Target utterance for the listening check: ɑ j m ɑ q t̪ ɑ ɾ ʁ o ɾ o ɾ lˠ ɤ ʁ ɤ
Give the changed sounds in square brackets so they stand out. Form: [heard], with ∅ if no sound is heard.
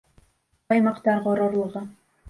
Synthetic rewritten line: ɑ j m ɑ q t̪ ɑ ɾ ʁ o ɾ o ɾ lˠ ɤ ʁ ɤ